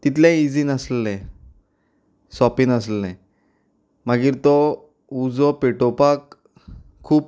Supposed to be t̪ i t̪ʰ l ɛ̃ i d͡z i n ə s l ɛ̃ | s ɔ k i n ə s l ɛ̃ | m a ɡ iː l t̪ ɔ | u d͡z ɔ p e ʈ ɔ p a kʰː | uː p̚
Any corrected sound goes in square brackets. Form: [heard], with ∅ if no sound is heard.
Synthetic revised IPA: t̪ i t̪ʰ l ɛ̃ i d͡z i n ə s l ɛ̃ | s ɔ [p] i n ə s l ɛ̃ | m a ɡ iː [ɾ] t̪ ɔ | u d͡z ɔ p e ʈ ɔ p a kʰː | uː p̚